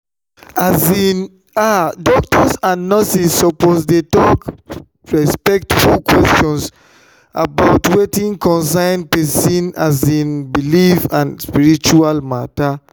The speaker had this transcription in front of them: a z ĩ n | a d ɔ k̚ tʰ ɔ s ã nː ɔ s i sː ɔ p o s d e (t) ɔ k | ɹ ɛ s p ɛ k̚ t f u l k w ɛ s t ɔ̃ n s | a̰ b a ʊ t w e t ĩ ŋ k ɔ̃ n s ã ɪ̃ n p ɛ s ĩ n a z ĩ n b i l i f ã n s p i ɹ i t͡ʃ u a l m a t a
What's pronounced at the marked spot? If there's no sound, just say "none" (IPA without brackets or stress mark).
t